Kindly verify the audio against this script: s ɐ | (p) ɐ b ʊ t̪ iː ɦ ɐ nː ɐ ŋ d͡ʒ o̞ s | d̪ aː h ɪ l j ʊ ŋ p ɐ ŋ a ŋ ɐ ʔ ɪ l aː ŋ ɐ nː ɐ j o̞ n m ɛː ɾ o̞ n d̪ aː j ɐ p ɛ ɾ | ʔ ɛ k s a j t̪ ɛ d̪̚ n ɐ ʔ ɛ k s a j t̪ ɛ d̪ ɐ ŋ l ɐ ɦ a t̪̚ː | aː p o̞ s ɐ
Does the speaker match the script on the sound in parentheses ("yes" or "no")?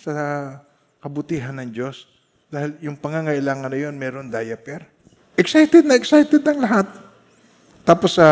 no